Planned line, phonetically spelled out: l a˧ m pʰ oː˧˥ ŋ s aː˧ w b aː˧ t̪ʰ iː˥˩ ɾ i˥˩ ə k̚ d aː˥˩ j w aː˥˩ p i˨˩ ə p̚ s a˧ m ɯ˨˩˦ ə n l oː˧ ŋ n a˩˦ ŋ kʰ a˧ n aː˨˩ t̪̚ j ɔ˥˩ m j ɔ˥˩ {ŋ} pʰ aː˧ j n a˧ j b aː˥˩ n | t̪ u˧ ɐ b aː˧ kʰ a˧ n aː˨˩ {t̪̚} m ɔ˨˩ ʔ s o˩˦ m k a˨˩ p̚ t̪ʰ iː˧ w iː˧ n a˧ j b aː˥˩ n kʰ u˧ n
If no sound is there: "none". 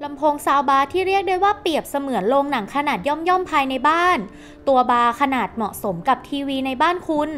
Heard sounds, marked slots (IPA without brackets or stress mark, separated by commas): m, t̪̚